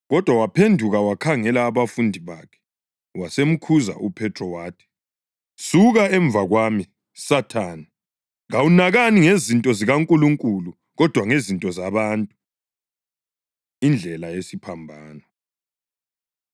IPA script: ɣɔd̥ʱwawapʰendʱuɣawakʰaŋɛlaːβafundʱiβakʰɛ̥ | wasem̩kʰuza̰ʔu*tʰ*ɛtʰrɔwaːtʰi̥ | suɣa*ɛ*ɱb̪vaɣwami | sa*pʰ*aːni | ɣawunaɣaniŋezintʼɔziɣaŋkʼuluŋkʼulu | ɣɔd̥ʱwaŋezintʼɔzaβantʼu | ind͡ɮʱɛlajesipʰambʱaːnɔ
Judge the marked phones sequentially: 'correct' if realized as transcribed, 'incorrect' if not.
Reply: incorrect: pʰ, correct, incorrect: tʰ

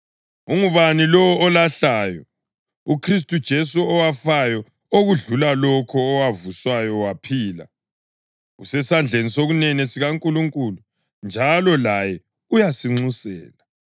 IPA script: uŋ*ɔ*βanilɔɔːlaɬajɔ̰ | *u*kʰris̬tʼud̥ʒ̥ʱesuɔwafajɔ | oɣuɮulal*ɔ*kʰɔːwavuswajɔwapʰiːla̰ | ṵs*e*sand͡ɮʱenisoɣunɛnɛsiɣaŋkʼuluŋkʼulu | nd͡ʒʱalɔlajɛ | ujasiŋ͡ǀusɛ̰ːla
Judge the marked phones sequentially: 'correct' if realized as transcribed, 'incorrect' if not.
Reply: incorrect: u, correct, correct, incorrect: ɛ

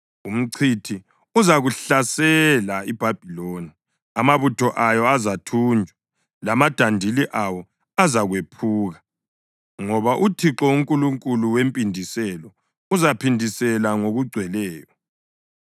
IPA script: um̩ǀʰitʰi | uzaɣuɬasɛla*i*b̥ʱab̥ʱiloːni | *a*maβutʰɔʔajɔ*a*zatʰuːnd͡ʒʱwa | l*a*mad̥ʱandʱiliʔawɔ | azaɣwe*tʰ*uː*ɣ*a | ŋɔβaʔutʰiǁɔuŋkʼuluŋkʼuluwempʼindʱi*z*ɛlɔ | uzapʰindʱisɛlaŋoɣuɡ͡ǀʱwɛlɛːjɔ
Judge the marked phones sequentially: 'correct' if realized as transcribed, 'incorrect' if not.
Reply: correct, correct, correct, correct, incorrect: pʰ, correct, incorrect: s

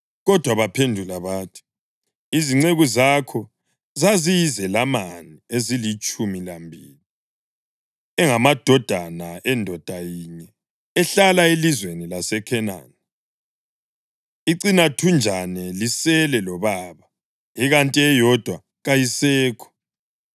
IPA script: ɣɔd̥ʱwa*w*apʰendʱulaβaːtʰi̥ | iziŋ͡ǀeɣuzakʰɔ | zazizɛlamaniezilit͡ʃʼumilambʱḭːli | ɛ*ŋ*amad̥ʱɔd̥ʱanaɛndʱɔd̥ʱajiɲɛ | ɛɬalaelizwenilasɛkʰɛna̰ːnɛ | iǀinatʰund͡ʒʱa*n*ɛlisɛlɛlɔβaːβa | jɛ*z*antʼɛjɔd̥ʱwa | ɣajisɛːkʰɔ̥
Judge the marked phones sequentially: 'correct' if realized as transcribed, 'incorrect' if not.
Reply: incorrect: β, correct, correct, incorrect: ɣ

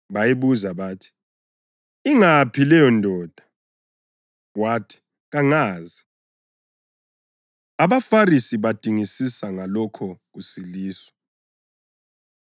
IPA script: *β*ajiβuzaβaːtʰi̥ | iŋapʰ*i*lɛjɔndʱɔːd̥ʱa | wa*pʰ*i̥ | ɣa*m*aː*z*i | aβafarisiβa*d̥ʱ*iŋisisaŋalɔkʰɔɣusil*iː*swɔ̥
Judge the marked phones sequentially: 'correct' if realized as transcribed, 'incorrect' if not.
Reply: correct, correct, incorrect: tʰ, incorrect: ŋ, correct, correct, correct

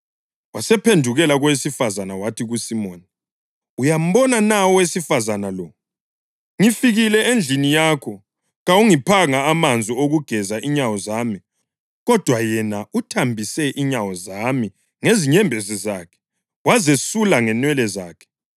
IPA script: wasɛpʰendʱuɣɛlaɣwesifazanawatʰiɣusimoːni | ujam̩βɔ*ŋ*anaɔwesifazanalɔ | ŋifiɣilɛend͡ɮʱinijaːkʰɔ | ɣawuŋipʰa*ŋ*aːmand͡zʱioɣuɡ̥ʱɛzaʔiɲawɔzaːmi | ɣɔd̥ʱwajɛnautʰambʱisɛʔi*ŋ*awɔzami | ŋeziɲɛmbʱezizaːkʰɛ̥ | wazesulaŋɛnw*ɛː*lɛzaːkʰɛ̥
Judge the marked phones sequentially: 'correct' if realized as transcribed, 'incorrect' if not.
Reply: incorrect: n, correct, incorrect: ɲ, incorrect: ɛ

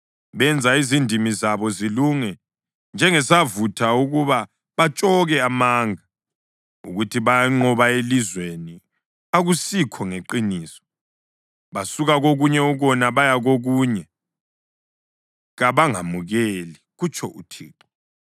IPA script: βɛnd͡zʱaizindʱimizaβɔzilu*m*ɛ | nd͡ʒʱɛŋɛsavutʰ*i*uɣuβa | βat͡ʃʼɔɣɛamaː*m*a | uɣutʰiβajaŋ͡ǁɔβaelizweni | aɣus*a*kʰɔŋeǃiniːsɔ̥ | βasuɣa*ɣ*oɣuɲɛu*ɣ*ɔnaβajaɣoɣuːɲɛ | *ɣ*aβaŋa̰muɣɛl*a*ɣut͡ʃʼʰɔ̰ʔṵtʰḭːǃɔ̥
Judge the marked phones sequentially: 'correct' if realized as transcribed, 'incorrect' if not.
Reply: incorrect: ŋ, incorrect: a, incorrect: ŋ, incorrect: i, correct, correct, correct, incorrect: i

